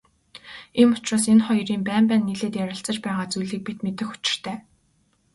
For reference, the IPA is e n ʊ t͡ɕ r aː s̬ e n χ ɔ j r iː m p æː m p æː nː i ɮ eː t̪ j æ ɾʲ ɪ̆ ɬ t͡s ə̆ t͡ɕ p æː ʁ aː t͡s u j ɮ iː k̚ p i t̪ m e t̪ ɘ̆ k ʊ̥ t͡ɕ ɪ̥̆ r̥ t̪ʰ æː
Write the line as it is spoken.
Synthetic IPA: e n ʊ t͡ɕ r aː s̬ e n χ ɔ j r iː m p æː m p æː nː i ɮ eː t̪ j æ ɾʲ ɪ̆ ɬ t͡s ə̆ t͡ɕ p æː ʁ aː t͡s u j ɮ iː k̚ p i t̪ m e t̪ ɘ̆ x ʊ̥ t͡ɕ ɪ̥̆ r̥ t̪ʰ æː